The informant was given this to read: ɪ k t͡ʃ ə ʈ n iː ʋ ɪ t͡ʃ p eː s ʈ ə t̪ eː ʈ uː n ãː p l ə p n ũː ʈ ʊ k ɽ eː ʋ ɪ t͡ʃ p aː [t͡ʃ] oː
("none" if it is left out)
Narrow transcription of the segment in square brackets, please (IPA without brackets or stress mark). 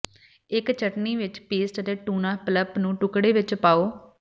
none